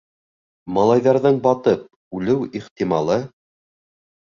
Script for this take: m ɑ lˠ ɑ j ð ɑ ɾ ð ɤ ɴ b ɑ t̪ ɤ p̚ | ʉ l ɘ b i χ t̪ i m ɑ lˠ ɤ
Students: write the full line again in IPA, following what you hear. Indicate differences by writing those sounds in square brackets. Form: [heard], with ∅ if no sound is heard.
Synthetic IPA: m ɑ lˠ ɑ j ð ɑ ɾ ð ɤ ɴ b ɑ t̪ ɤ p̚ | ʉ l ɘ [w] i χ t̪ i m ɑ lˠ ɤ